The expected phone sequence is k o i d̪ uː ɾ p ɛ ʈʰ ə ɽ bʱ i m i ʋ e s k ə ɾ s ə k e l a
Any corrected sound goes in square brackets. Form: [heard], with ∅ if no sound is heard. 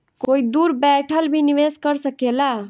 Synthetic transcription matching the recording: k o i d̪ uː ɾ [b] ɛ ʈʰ ə [l] bʱ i [n] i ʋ e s k ə ɾ s ə k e l a